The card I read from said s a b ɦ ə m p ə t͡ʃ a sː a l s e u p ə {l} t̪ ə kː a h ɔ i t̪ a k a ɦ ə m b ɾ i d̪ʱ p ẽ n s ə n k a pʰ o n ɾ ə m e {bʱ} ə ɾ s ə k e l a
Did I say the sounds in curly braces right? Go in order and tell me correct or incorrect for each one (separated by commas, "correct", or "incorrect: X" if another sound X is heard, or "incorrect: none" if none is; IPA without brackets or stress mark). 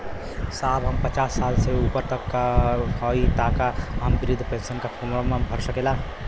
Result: incorrect: ɾ, correct